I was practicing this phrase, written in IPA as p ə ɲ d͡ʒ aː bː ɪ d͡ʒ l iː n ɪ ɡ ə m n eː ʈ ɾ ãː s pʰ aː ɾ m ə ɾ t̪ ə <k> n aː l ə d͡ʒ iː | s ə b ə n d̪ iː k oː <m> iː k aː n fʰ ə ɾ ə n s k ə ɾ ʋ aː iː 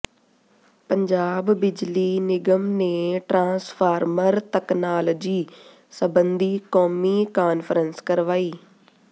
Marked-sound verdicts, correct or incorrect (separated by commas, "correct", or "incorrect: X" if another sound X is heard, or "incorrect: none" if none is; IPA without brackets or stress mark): correct, correct